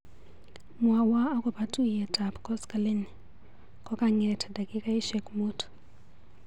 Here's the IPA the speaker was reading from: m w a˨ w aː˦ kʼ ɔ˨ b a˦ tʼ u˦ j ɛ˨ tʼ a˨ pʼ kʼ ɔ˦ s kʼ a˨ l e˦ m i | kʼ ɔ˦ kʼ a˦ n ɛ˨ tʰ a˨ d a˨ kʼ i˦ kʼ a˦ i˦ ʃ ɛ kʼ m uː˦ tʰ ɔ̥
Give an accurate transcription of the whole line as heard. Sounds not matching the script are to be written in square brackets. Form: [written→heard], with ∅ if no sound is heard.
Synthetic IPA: m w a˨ w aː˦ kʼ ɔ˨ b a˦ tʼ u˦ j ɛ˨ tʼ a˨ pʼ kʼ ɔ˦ s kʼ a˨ l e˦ [m→n] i | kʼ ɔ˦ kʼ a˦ [n→ŋ] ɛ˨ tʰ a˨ d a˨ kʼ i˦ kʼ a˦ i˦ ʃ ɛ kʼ m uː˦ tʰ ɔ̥